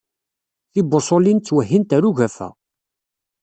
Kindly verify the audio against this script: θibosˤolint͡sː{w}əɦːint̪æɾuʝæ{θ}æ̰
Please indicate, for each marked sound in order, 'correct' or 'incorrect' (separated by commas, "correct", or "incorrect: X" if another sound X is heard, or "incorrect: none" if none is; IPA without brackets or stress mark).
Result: correct, incorrect: f